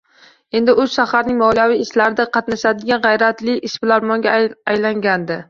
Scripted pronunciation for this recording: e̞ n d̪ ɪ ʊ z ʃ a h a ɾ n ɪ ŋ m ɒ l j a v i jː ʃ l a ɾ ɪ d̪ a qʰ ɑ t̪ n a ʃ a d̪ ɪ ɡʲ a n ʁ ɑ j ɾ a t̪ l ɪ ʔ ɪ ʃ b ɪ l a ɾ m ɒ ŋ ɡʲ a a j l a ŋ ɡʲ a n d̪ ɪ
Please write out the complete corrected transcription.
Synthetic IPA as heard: e̞ n d̪ ɪ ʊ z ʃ a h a ɾ n ɪ ŋ m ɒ l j a v i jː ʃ l a ɾ ɪ d̪ a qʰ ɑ t̪ n a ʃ a d̪ ɪ ɡʲ a n ʁ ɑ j ɾ a t̪ l ɪ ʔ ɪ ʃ b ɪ l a ɾ m ɒ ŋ ɡʲ a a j l a ŋ ɡʲ a n d̪ ɪ

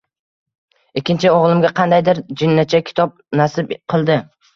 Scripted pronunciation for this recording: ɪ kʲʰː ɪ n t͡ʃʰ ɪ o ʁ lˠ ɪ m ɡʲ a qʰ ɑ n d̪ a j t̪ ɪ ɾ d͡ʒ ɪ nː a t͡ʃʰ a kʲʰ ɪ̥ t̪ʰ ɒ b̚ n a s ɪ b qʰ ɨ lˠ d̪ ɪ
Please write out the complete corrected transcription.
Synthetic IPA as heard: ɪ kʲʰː ɪ n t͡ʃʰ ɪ o ʁ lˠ ɪ m ɡʲ a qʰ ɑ n d̪ a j d̪ ɪ ɾ d͡ʒ ɪ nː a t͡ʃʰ a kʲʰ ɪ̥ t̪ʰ ɒ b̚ n a s ɪ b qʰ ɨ lˠ d̪ ɪ

